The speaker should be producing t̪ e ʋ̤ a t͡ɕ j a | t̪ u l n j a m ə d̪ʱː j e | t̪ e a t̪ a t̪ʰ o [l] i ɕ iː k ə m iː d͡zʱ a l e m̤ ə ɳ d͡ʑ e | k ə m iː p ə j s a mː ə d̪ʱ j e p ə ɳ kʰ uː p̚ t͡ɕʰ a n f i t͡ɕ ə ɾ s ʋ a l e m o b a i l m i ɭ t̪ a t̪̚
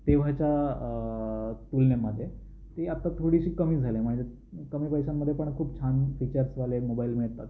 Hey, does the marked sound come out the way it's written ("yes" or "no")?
no